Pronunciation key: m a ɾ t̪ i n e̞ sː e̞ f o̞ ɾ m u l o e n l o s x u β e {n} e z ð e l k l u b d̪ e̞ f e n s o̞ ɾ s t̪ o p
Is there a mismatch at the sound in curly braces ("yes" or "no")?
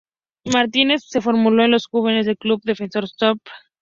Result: no